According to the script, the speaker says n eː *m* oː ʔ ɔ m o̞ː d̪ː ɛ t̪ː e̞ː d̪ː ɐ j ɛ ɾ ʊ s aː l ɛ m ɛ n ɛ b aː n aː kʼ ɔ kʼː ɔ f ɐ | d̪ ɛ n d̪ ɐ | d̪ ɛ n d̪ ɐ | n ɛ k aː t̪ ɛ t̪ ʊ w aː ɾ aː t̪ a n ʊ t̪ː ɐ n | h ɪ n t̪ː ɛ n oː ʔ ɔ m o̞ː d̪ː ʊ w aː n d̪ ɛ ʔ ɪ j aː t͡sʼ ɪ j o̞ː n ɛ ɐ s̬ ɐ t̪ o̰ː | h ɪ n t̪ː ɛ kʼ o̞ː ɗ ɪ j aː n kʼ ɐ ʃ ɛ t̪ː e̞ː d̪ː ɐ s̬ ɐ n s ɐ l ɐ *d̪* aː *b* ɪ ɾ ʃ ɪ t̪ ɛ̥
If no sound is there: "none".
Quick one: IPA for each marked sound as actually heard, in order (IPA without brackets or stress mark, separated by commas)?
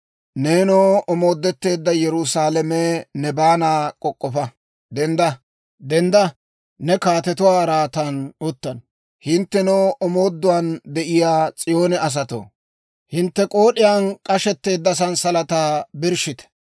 n, t̪, b